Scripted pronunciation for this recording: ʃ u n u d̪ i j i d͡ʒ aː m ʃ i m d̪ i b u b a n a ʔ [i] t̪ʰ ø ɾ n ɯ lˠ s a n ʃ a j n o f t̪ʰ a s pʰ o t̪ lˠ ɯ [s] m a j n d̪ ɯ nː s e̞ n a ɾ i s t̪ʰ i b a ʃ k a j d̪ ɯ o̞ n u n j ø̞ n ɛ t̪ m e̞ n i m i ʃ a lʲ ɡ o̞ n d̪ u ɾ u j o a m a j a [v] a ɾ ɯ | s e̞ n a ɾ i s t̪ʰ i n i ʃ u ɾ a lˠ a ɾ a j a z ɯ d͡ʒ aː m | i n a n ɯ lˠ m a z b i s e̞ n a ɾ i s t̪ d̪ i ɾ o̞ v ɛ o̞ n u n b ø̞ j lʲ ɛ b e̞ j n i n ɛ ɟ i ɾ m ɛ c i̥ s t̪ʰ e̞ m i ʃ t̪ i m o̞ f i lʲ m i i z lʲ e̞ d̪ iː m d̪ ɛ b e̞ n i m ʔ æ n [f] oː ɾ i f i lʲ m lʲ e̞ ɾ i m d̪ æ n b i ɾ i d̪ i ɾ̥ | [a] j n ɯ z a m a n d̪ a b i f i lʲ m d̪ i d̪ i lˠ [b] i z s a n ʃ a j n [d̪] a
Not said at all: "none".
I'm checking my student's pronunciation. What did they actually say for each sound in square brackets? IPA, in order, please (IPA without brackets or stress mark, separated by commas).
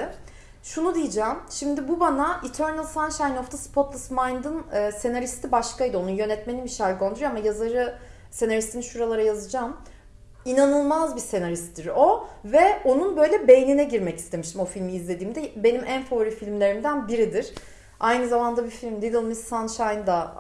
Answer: i, s, z, f, a, m, d̪